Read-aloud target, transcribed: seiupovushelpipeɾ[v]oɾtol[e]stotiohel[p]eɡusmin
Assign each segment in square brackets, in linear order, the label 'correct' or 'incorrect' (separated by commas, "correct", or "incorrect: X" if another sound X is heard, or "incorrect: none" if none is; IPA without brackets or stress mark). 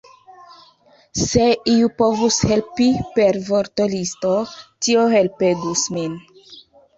correct, incorrect: i, correct